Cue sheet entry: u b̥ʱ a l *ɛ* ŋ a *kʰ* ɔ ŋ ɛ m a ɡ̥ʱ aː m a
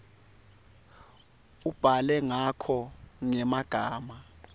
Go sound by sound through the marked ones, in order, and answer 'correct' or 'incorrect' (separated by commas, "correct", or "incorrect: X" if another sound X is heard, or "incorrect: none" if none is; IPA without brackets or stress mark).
correct, correct